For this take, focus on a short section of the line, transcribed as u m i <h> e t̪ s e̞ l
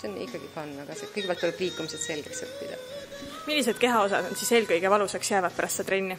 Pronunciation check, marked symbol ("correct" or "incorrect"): incorrect